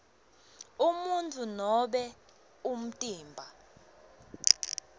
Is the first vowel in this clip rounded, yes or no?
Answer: yes